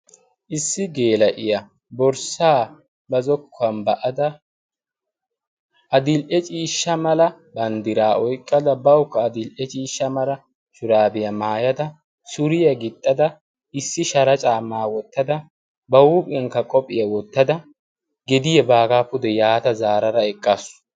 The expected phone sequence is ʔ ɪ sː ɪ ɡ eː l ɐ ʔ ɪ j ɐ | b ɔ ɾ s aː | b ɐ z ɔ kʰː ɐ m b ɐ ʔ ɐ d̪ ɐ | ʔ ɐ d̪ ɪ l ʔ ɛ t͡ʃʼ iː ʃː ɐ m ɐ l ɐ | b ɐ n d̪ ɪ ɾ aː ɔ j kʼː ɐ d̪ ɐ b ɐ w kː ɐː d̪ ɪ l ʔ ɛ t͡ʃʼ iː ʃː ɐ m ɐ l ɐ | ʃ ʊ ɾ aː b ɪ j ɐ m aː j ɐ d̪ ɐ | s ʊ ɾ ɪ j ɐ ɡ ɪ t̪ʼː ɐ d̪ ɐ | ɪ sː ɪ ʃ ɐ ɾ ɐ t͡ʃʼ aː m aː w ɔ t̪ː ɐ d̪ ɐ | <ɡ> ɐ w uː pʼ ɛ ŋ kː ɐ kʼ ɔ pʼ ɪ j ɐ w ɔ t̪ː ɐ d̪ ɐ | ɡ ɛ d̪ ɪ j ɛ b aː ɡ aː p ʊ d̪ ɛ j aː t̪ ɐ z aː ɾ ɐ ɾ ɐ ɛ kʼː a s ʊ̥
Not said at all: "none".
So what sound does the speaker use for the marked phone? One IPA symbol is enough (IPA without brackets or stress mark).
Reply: b